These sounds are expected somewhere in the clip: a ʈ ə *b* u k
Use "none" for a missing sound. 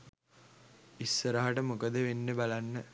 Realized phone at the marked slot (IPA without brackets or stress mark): m